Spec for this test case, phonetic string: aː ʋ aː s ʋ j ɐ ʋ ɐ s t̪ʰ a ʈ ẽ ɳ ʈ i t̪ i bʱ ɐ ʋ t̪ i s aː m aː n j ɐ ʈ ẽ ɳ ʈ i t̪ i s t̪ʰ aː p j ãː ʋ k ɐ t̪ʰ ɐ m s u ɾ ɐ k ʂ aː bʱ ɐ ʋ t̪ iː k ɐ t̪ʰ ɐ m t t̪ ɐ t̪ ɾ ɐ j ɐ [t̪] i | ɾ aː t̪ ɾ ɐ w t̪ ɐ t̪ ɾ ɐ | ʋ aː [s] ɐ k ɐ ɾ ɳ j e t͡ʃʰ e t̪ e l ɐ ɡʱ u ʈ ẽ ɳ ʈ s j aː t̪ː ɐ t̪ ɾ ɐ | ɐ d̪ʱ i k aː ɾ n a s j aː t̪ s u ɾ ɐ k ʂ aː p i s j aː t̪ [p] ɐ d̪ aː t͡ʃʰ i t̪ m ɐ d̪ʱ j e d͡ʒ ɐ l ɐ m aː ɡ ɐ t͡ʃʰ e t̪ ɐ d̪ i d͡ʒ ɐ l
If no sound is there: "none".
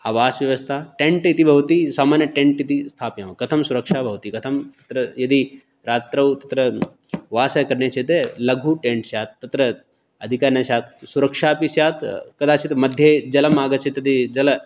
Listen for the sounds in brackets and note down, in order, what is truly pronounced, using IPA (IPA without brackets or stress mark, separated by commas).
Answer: d̪, s, k